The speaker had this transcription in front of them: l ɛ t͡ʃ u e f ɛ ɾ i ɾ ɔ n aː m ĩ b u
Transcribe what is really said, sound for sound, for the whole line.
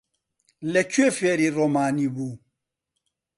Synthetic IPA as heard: l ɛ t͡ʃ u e f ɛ ɾ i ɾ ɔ m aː n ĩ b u